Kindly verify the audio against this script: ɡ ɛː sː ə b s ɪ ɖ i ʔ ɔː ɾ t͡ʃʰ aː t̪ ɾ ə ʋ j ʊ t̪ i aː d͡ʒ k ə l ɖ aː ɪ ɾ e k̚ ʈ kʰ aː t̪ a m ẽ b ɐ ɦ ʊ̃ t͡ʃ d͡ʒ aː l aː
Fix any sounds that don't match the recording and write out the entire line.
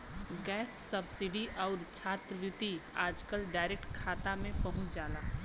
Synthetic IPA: ɡ ɛː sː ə b s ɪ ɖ i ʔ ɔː ɾ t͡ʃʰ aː t̪ ɾ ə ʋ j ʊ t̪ i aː d͡ʒ k ə l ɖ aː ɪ ɾ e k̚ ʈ kʰ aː t̪ a m ẽ p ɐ ɦ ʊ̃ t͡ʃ d͡ʒ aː l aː